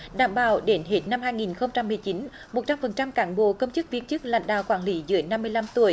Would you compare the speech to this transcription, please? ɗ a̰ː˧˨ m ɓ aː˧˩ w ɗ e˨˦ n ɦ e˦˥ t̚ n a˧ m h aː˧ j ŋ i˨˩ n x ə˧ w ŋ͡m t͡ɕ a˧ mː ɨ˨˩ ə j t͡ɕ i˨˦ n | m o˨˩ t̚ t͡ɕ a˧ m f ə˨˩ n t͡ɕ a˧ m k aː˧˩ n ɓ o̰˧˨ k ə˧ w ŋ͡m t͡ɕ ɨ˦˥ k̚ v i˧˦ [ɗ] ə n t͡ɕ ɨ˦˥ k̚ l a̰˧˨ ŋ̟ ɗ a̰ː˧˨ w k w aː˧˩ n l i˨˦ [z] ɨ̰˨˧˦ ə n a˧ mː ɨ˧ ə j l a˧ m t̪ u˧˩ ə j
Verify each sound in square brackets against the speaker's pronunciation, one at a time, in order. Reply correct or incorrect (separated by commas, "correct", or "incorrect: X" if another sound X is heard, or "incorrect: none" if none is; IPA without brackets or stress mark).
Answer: incorrect: none, correct